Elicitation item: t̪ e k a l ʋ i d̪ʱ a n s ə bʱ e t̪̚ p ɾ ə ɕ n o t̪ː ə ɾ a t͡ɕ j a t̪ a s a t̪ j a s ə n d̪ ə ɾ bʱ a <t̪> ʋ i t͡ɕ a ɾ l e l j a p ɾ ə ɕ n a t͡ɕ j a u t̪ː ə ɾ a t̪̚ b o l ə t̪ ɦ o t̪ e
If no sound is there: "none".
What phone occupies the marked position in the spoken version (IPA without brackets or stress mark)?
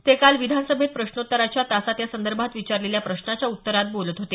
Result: t̪